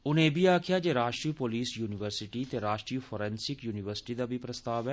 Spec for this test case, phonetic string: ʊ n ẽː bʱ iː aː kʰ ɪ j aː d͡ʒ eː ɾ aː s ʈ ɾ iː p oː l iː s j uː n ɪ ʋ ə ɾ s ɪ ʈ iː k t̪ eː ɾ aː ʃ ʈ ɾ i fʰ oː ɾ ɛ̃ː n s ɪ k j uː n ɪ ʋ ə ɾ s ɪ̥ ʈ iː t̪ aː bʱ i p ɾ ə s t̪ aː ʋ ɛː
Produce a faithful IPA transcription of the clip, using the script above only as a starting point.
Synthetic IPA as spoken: ʊ n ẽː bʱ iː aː kʰ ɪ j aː d͡ʒ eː ɾ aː ʃ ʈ ɾ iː p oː l iː s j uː n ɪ ʋ ə ɾ s ɪ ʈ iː t̪ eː ɾ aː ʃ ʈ ɾ i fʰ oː ɾ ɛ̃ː n s ɪ k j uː n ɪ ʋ ə ɾ s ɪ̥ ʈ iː d̪ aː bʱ i p ɾ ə s t̪ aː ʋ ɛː